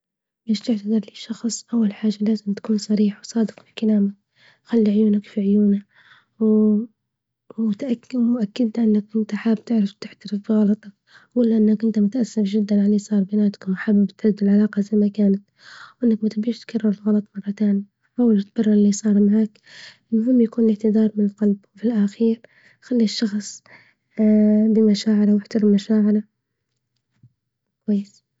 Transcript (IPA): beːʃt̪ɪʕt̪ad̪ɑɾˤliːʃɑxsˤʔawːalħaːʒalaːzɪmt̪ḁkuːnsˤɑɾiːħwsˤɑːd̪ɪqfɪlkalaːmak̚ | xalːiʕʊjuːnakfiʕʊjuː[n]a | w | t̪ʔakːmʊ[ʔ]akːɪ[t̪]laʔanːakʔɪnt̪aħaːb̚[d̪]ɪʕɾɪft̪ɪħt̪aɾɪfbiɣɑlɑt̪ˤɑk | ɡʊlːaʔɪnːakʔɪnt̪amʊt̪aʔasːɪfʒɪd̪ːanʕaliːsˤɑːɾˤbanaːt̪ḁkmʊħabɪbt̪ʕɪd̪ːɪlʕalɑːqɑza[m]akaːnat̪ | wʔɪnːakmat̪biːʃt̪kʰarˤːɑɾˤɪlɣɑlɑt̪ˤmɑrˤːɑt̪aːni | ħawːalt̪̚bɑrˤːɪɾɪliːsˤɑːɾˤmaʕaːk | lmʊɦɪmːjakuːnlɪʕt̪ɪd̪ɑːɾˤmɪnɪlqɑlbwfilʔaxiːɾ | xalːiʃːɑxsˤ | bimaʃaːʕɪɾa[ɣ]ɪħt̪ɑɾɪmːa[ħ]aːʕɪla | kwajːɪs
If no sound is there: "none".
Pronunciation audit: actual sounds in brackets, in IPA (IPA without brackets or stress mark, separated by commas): n, ʔ, d̪, t̪, m, w, ʃ